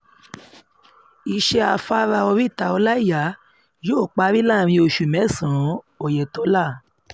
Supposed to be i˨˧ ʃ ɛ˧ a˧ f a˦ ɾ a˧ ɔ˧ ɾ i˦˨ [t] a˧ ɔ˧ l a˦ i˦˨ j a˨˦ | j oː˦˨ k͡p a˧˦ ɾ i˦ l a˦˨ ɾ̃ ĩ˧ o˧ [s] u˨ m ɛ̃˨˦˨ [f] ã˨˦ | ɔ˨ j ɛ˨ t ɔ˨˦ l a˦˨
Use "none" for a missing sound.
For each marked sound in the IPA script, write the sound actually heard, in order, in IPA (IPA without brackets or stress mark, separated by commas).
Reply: t, ʃ, s